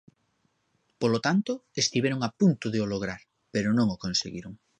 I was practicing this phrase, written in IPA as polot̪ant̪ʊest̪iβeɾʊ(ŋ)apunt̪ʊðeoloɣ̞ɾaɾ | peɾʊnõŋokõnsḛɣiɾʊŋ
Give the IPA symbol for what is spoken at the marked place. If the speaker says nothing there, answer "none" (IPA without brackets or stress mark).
ŋ